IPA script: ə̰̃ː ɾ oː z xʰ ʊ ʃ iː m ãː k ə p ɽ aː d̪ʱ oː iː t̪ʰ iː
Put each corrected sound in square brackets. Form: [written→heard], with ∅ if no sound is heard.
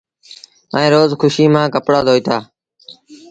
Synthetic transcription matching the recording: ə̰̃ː ɾ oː z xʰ ʊ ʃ iː m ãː k ə p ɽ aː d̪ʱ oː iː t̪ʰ [iː→aː]